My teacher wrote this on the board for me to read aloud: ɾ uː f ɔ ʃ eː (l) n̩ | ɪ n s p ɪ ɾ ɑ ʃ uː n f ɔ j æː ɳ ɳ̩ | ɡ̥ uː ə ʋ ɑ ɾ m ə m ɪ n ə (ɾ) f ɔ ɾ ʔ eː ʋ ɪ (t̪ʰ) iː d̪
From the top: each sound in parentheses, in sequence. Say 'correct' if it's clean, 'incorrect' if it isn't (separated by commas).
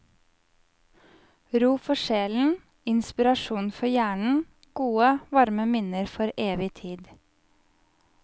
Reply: correct, correct, correct